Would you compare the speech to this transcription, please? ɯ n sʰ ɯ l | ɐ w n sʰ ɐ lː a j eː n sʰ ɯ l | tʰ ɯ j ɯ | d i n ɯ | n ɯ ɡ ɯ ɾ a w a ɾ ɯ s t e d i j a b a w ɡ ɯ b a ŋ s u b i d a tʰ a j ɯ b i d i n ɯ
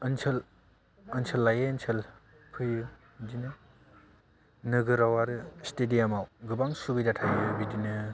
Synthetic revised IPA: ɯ n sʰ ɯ l | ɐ n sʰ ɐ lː a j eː n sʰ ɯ l | pʰ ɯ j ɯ | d i n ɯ | n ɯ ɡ ɯ ɾ a w a ɾ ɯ s t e d i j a m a w ɡ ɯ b a ŋ s u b i d a tʰ a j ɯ b i d i n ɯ

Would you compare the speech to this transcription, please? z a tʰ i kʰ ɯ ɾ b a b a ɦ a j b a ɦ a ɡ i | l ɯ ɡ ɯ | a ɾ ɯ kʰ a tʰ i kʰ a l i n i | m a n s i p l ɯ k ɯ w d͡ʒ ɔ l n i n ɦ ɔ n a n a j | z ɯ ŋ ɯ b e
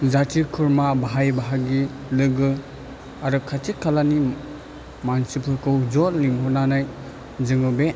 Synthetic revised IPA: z a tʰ i kʰ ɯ ɾ m a b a ɦ a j b a ɦ a ɡ i | l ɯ ɡ ɯ | a ɾ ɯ kʰ a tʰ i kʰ a l a n i | m a n s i p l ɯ k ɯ w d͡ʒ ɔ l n i ŋ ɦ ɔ n a n a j | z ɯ ŋ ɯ b e

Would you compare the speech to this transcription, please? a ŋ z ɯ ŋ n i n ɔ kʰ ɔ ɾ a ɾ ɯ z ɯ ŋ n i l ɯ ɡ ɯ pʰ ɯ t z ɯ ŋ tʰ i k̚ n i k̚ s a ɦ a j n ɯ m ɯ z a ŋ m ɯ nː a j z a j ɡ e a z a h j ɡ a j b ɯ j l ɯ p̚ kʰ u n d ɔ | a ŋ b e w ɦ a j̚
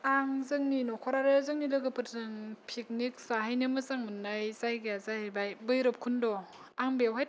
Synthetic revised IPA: a ŋ z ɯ ŋ n i n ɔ kʰ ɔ ɾ a ɾ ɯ z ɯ ŋ n i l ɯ ɡ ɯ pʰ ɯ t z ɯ ŋ pʰ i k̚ n i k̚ s a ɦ a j n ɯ m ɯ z a ŋ m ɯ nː a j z a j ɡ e a z a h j b a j b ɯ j ɾ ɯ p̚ kʰ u n d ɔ | a ŋ b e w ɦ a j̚

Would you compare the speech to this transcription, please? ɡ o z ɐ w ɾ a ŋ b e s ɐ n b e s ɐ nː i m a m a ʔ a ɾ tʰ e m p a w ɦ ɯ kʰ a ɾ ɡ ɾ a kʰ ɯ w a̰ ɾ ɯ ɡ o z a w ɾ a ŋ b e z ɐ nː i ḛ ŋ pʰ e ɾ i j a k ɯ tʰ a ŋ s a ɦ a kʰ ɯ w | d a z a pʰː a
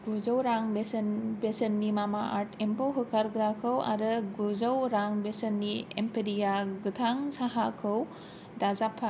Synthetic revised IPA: ɡ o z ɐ w ɾ a ŋ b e s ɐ n b e s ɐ nː i m a m a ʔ a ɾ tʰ e m p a w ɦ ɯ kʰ a ɾ ɡ ɾ a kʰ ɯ w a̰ ɾ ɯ ɡ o z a w ɾ a ŋ b e s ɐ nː i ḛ m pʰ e ɾ i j a ɡ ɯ tʰ a ŋ s a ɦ a kʰ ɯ w | d a z a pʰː a

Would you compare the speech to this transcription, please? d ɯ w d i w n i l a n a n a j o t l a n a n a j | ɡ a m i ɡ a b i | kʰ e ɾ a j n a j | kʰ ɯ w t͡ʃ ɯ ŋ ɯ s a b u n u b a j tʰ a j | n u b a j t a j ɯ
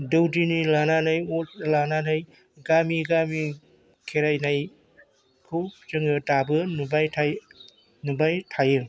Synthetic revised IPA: d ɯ w d i n i l a n a n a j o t l a n a n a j | ɡ a m i ɡ a m i | kʰ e ɾ a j n a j | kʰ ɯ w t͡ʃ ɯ ŋ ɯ t a b ɯ n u b a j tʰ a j | n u b a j tʰ a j ɯ

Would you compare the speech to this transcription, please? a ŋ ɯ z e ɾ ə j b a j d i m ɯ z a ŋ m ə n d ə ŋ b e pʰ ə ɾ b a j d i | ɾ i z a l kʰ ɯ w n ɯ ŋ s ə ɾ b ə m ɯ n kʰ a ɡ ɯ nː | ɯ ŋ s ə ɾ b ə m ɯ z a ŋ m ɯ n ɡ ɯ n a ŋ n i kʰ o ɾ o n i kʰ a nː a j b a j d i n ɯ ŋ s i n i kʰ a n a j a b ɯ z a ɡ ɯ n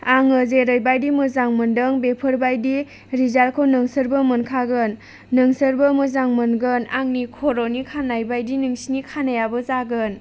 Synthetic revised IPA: a ŋ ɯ z e ɾ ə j b a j d i m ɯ z a ŋ m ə n d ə ŋ b e pʰ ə ɾ b a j d i | ɾ i z a l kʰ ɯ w n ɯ ŋ s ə ɾ b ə m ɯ n kʰ a ɡ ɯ nː | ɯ ŋ s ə ɾ b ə m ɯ z a ŋ m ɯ n ɡ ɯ n a ŋ n i kʰ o ɾ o n i kʰ a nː a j b a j d i n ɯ ŋ s i n i kʰ a n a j a b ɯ z a ɡ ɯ n

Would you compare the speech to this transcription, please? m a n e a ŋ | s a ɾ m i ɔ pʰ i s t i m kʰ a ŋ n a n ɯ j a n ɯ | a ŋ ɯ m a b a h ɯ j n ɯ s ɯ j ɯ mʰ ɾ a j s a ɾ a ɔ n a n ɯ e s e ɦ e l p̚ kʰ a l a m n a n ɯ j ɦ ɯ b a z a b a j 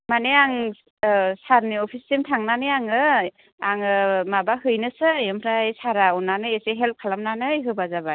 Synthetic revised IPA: m a n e a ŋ | s a ɾ n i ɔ pʰ i s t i m tʰ a ŋ n a n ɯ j a ŋ ɯ | a ŋ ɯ m a b a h ɯ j n ɯ s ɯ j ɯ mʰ ɾ a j s a ɾ a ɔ n a n ɯ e s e ɦ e l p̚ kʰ a l a m n a n ɯ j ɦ ɯ b a z a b a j

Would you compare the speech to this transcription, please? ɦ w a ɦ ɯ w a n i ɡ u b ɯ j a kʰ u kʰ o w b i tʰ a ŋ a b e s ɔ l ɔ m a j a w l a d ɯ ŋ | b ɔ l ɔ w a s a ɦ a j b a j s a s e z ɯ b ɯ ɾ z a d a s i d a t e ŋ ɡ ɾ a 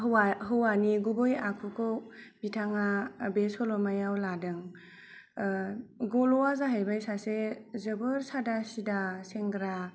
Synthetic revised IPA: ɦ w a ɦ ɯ w a n i ɡ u b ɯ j a kʰ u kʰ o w b i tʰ a ŋ a b e s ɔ l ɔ m a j a w l a d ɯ ŋ | ɡ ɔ l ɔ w a z a ɦ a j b a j s a s e z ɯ b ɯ ɾ s a d a s i d a s e ŋ ɡ ɾ a

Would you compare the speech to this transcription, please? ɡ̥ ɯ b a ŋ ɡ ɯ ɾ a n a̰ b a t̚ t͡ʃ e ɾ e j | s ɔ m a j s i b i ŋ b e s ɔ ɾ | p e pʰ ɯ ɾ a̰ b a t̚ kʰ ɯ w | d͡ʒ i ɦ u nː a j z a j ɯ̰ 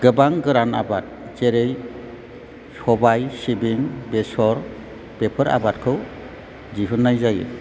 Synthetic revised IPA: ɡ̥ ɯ b a ŋ ɡ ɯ ɾ a n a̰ b a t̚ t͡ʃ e ɾ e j | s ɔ b a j s i b i ŋ b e s ɔ ɾ | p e pʰ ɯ ɾ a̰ b a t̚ kʰ ɯ w | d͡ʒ i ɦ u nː a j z a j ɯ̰

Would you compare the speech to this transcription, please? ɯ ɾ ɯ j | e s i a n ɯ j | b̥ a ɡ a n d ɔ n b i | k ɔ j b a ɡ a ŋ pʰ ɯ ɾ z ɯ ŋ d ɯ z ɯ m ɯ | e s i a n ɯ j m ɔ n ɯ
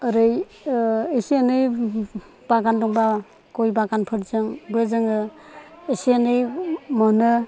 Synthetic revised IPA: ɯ ɾ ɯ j | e s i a n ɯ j | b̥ a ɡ a n d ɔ ŋ b a | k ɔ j b a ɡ a n pʰ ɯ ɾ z ɯ ŋ b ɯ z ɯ ŋ ɯ | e s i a n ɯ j m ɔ n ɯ

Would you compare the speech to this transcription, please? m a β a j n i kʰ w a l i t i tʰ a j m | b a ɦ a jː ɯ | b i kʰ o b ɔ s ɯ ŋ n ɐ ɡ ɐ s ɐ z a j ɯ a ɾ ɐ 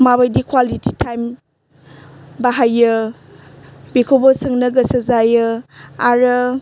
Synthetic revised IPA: m a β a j d i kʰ w a l i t i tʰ a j m | b a ɦ a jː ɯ | b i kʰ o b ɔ s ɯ ŋ n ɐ ɡ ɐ s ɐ z a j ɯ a ɾ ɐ

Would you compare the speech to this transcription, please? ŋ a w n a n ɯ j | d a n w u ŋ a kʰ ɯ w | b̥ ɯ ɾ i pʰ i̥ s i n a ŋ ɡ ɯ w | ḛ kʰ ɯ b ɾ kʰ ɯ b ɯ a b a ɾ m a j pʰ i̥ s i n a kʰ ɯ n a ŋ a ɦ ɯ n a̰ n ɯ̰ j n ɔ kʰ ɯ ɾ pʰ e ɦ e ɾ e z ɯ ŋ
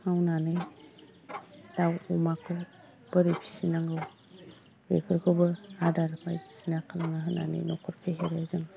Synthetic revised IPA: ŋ a w n a n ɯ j | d a w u m a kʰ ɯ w | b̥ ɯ ɾ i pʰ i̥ s i n a ŋ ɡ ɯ w | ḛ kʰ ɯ ɾ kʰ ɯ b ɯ a d a ɾ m a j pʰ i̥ s i n a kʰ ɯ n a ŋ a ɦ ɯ n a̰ n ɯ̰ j n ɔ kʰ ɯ ɾ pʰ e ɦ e ɾ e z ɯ ŋ

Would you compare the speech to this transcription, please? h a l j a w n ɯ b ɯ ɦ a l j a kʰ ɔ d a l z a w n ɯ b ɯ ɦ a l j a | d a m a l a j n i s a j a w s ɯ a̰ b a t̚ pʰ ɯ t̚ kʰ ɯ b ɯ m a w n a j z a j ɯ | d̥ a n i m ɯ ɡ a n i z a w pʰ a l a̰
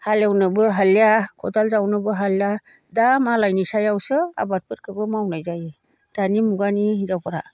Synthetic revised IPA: h a l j a w n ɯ b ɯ ɦ a l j a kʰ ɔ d a l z a w n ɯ b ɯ ɦ a l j a | d a m a l a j n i s a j a w s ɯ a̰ b a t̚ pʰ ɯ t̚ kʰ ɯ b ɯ m a w n a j z a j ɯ | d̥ a n i m u ɡ a n i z a w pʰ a ɾ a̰

